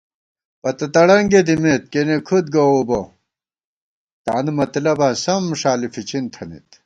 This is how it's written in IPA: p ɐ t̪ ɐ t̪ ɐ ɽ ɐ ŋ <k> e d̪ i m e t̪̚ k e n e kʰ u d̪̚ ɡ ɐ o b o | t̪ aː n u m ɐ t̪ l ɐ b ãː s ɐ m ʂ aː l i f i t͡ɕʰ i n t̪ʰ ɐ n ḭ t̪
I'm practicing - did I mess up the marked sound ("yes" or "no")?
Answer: yes